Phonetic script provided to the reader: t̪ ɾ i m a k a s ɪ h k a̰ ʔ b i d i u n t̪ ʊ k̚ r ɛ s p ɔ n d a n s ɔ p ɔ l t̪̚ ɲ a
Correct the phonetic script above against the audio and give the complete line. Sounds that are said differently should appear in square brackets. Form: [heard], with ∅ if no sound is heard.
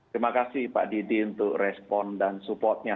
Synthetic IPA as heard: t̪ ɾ i m a k a s ɪ h [p] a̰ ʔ [d] i d i u n t̪ ʊ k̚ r ɛ s p ɔ n d a n s [u] p ɔ [r] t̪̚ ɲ a

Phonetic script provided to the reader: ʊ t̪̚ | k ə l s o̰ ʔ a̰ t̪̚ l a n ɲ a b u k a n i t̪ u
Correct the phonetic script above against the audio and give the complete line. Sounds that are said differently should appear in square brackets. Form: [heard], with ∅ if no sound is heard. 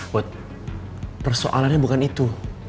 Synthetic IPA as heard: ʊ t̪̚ | [p] ə [r] s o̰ ʔ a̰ [∅] l a n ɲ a b u k a n i t̪ u

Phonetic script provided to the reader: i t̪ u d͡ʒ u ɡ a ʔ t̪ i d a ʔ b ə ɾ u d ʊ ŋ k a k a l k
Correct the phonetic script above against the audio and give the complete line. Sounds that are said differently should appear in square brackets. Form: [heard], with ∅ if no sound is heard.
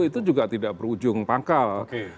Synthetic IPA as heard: i t̪ u d͡ʒ u ɡ a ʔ t̪ i d a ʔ b ə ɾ u [d͡ʒ] ʊ ŋ [p] a k a l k

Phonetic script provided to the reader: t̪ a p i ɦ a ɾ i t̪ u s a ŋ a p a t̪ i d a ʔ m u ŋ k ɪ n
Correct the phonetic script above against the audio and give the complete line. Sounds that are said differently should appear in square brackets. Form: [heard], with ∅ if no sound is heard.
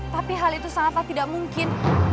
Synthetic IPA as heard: t̪ a p i ɦ a [l] i t̪ u s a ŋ a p a t̪ i d a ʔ m u ŋ k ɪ n

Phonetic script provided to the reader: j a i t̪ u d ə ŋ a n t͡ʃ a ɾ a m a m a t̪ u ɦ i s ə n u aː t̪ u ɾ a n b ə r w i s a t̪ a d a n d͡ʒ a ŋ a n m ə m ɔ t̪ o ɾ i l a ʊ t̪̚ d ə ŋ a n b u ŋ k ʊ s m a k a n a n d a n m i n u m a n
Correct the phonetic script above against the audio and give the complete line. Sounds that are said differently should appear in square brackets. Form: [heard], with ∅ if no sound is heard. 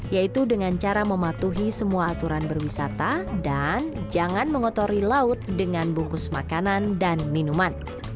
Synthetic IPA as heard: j a i t̪ u d ə ŋ a n t͡ʃ a ɾ a m [ə] m a t̪ u ɦ i s ə [m] u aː t̪ u ɾ a n b ə r w i s a t̪ a d a n d͡ʒ a ŋ a n m ə [ŋ] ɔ t̪ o ɾ i l a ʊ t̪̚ d ə ŋ a n b u ŋ k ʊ s m a k a n a n d a n m i n u m a n

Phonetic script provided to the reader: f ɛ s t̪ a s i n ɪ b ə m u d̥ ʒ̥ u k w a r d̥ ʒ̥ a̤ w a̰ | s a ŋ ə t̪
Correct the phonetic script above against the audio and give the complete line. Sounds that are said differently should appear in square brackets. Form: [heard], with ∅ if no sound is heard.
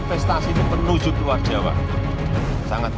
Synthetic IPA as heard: f ɛ s t̪ a s i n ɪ [m] ə [n] u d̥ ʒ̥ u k w a r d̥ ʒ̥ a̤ w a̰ | s a ŋ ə t̪

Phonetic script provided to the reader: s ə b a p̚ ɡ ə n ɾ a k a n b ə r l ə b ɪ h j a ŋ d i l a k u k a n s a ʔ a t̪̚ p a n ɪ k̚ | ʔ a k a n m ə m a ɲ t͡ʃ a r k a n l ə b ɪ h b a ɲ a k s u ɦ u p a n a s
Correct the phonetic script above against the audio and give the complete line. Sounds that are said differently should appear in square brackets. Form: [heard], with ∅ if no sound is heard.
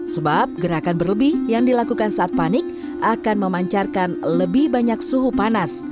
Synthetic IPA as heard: s ə b a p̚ ɡ ə [∅] ɾ a k a n b ə r l ə b ɪ h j a ŋ d i l a k u k a n s a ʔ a t̪̚ p a n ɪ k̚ | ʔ a k a n m ə m a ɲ t͡ʃ a r k a n l ə b ɪ h b a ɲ a k s u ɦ u p a n a s

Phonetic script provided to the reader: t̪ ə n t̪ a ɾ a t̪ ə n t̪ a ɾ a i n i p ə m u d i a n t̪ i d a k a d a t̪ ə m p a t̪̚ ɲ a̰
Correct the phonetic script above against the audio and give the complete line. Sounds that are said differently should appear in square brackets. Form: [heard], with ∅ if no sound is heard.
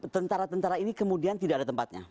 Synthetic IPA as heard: t̪ ə n t̪ a ɾ a t̪ ə n t̪ a ɾ a i n i [k] ə m u d i a n t̪ i d a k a d a t̪ ə m p a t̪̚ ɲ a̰

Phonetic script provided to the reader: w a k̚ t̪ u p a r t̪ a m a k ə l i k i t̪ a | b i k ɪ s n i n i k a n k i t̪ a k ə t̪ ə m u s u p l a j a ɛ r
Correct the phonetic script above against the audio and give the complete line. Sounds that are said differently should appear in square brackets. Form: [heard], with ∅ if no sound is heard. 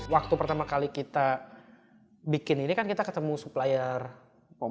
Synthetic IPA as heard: w a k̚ t̪ u p [ə] r t̪ a m a k [a] l i k i t̪ a | b i k ɪ [∅] n i n i k a n k i t̪ a k ə t̪ ə m u s u p l a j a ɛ r

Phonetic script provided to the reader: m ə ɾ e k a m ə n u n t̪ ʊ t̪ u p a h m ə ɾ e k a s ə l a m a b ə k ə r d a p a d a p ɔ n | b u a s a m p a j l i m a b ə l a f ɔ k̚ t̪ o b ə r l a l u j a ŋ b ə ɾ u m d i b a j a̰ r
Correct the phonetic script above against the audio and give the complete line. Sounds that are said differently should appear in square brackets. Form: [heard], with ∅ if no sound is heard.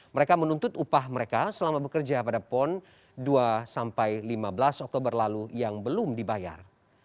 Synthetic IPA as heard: m ə ɾ e k a m ə n u n t̪ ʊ t̪ u p a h m ə ɾ e k a s ə l a m a b ə k ə r [d͡ʒ] a p a d a p ɔ n | [d] u a s a m p a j l i m a b ə l a [s] ɔ k̚ t̪ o b ə r l a l u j a ŋ b ə [l] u m d i b a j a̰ r

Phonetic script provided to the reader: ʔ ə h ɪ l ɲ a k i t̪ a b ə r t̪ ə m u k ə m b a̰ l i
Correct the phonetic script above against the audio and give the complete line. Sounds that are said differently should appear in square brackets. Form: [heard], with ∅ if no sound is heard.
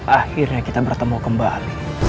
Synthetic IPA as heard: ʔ [a] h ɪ [r] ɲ a k i t̪ a b ə r t̪ ə m u k ə m b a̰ l i

